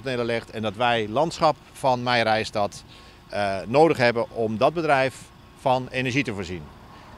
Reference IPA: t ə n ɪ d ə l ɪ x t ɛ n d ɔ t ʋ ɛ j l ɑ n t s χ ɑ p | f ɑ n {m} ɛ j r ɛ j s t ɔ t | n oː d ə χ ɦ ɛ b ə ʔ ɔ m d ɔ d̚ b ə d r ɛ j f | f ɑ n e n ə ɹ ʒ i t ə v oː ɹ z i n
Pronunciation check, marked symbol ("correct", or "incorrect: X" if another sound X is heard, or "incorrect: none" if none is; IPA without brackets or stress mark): correct